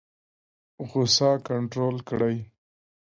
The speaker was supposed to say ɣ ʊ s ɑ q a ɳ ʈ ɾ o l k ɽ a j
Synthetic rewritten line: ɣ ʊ s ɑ k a ɳ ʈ ɾ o l k ɽ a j